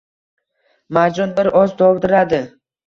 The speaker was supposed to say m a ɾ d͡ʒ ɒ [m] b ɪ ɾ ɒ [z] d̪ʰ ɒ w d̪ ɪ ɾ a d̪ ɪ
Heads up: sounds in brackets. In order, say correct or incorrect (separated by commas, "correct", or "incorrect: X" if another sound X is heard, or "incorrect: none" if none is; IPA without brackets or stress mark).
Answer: incorrect: n, correct